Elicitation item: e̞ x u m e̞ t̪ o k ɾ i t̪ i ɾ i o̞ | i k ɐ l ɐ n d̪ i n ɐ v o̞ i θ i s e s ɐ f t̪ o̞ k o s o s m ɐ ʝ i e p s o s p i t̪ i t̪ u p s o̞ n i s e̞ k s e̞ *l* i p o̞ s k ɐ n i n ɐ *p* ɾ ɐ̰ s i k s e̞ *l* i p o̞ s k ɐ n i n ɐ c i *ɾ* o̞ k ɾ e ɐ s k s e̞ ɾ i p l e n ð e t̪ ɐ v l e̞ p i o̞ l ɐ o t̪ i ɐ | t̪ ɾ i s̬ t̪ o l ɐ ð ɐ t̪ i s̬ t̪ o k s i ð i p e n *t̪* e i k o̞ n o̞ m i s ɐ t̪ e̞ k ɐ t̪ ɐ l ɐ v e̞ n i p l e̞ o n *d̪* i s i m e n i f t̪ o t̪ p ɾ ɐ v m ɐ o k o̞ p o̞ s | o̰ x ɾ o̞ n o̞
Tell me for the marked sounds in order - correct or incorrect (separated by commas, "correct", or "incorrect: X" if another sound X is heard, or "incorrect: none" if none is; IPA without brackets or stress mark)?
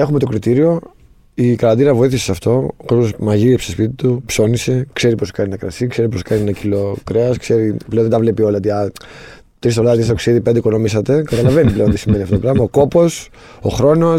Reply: incorrect: ɾ, incorrect: k, incorrect: ɾ, incorrect: l, incorrect: d̪, incorrect: t̪